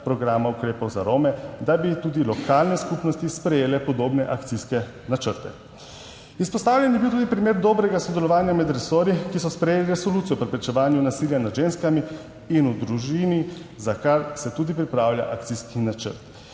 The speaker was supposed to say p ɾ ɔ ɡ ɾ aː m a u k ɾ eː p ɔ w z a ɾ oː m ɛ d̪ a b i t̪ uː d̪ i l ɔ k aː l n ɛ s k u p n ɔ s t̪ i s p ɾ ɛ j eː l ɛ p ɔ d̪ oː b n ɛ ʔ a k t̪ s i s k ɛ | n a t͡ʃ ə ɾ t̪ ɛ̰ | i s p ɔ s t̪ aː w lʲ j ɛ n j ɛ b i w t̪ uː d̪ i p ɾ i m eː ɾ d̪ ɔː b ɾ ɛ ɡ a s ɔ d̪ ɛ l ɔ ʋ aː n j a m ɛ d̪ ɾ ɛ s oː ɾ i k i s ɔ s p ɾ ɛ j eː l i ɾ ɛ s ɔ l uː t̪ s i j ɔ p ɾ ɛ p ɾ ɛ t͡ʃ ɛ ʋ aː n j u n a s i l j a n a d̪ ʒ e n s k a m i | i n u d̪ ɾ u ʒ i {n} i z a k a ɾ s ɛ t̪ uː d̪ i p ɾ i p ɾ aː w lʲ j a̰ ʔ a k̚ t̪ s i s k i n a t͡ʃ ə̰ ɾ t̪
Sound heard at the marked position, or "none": n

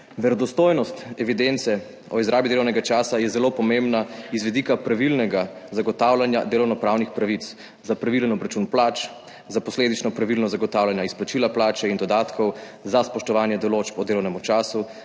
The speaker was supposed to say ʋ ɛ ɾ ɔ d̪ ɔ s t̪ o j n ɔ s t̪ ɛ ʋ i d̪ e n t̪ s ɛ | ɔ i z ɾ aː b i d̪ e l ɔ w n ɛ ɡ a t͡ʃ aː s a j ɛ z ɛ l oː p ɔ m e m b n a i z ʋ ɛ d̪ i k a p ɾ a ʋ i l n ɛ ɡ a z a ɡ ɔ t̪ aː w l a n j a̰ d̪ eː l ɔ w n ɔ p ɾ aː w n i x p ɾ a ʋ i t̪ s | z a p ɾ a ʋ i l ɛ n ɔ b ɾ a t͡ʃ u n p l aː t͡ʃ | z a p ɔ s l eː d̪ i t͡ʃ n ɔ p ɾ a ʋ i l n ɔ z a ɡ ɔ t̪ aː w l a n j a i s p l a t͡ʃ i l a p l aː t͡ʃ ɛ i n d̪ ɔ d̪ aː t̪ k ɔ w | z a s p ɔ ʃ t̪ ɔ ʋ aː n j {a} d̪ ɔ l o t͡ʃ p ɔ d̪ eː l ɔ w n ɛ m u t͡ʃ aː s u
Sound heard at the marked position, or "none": ɛ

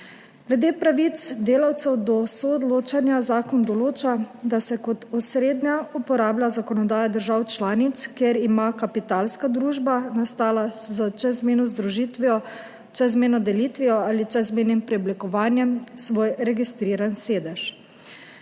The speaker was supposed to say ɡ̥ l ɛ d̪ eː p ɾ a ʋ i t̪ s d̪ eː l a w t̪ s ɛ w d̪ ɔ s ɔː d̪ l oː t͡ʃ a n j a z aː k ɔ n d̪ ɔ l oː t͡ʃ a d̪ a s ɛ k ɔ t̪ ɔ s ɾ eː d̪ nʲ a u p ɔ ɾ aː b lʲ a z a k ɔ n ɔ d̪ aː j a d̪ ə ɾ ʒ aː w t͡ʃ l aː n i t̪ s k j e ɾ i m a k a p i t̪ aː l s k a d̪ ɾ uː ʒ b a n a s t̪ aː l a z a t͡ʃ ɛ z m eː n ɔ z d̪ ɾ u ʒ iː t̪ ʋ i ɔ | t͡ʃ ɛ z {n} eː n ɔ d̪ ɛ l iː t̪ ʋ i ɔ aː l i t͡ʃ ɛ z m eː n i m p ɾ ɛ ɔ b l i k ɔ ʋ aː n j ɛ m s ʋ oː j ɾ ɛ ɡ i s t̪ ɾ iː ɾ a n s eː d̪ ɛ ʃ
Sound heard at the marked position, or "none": m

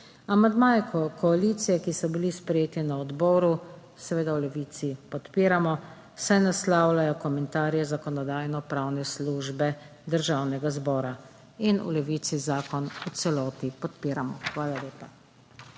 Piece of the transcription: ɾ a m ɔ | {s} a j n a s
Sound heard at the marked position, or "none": s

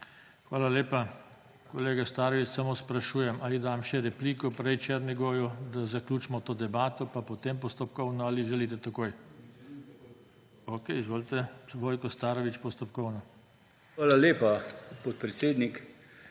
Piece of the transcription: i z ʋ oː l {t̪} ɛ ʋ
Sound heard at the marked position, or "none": t̪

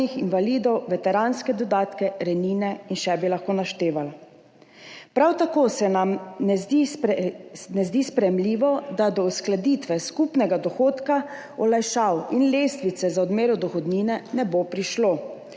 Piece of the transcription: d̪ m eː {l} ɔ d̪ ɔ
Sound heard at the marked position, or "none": ɾ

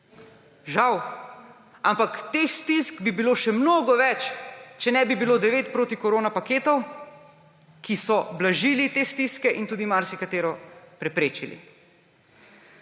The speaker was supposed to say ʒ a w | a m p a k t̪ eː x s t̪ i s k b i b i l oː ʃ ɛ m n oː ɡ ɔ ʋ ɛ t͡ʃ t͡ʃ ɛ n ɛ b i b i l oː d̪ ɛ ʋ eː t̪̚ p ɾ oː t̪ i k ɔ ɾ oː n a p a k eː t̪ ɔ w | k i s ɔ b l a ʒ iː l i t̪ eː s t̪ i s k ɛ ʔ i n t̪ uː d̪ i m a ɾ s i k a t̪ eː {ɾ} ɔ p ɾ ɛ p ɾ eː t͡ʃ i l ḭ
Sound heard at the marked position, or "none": ɾ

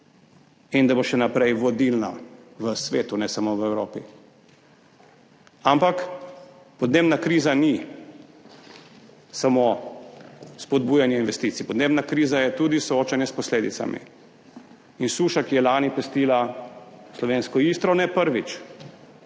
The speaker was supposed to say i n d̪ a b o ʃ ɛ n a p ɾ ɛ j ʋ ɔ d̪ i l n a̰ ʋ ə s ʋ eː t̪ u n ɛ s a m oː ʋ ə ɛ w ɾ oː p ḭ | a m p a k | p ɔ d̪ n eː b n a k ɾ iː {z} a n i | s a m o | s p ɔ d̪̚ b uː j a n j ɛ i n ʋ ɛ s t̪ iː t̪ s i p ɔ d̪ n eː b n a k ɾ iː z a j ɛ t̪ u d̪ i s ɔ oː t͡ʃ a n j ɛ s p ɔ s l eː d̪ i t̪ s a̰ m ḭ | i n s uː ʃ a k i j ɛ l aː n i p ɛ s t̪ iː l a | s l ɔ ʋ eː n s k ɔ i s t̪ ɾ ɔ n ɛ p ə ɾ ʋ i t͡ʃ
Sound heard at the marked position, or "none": z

